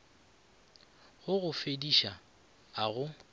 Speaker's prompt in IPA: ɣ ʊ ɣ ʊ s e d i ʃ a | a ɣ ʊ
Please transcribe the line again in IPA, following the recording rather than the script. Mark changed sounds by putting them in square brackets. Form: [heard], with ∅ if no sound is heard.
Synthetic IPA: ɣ ʊ ɣ ʊ [f] e d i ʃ a | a ɣ ʊ